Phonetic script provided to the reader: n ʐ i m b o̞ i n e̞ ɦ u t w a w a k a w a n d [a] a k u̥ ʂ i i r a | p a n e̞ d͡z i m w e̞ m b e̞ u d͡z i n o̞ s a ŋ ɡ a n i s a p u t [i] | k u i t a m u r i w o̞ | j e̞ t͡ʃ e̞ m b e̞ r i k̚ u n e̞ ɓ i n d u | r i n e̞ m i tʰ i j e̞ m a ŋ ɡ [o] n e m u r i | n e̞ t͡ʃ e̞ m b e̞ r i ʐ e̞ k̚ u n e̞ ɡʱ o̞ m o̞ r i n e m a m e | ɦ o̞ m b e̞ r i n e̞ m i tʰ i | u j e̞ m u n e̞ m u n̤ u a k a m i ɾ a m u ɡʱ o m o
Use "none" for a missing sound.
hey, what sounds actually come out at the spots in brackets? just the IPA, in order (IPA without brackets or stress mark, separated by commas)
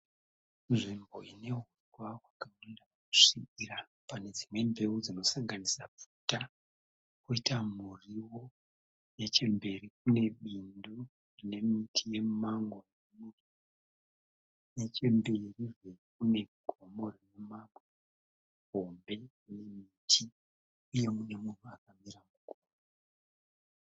a, a, o